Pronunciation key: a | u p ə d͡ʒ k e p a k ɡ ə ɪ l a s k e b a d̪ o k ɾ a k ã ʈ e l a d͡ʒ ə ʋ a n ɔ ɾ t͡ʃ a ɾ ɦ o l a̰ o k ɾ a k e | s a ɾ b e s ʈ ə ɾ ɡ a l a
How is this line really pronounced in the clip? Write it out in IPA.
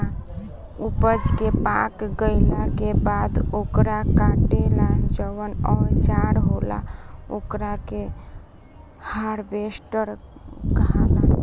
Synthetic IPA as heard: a | u p ə d͡ʒ k e p a k ɡ ə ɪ l a k e b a d̪ o k ɾ a k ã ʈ e l a d͡ʒ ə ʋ ə n ɔ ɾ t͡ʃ a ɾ ɦ o l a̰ o k ɾ a k e | h a ɾ b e s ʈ ə ɾ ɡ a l a